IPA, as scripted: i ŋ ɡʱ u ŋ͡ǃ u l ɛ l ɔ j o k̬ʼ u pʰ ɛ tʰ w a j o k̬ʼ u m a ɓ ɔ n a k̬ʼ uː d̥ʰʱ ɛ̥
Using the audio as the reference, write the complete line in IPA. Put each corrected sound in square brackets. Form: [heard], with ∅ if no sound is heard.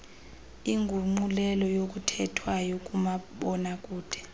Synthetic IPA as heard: i ŋ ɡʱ u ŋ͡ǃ u l ɛ l ɔ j o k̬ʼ u [tʰ] ɛ tʰ w a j o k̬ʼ u m a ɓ ɔ n a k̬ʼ uː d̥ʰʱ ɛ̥